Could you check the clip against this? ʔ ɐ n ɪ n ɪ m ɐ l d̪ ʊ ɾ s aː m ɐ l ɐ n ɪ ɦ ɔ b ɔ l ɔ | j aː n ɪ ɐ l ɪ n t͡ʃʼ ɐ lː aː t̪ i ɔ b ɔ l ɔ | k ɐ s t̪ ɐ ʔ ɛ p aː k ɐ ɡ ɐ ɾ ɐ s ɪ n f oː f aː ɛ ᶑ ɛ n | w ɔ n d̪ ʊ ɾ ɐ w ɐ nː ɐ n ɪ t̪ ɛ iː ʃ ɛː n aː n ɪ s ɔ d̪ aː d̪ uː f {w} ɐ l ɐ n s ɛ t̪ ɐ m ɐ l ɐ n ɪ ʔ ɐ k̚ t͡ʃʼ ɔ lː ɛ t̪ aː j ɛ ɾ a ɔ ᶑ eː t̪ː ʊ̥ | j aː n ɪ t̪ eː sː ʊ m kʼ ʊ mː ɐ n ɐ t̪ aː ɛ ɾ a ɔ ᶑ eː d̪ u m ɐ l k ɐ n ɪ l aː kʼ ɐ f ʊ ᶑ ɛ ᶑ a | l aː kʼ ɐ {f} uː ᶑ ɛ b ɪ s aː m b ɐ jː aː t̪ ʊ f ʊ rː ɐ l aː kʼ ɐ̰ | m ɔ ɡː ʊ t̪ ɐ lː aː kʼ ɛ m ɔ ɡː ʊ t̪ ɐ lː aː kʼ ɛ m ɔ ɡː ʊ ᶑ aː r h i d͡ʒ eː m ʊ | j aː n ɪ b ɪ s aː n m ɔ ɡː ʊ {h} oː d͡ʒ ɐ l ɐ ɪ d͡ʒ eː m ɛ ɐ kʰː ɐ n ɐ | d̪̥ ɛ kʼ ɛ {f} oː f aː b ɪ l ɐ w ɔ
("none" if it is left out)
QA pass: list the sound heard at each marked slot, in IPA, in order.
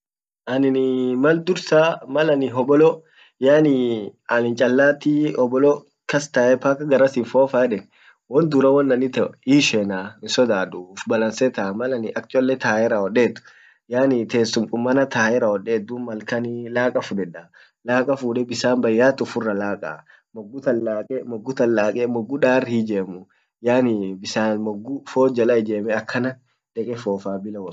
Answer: b, f, f, f

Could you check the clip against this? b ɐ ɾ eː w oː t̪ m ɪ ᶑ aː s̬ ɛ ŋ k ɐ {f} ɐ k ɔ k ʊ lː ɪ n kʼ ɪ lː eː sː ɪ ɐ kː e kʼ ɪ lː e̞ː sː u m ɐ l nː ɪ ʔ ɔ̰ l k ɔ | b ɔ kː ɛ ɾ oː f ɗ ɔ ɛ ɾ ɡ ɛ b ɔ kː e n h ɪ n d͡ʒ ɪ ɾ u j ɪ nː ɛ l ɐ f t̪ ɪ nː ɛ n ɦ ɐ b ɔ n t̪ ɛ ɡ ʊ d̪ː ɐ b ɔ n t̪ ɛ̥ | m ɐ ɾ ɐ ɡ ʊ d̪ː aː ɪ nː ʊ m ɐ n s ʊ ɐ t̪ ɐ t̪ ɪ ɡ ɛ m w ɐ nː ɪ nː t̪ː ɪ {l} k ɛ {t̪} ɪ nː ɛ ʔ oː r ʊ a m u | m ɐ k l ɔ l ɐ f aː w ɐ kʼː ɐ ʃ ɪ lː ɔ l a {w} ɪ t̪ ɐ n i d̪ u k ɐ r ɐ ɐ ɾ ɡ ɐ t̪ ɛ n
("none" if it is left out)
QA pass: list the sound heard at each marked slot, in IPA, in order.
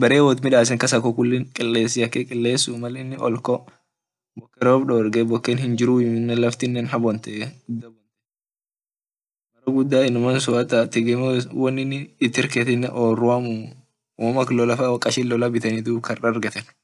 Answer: s, ɾ, t̪, b

